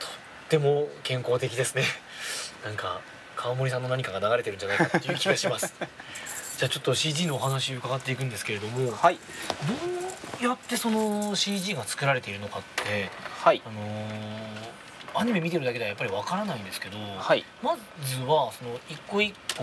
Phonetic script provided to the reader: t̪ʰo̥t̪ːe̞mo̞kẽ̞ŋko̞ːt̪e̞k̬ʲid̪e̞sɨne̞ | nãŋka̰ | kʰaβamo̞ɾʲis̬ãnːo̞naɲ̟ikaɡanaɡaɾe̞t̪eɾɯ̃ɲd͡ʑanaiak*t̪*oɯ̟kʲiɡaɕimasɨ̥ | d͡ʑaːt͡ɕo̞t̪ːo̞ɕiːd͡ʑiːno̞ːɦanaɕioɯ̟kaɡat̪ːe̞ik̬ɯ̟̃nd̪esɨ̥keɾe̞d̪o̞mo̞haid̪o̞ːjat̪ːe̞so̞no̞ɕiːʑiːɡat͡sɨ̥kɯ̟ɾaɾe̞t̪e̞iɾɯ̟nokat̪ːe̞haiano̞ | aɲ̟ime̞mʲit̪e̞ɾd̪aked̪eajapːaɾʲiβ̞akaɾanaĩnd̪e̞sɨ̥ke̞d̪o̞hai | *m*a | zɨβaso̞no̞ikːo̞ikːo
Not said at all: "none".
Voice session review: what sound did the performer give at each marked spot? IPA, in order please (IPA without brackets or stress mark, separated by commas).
t̪, m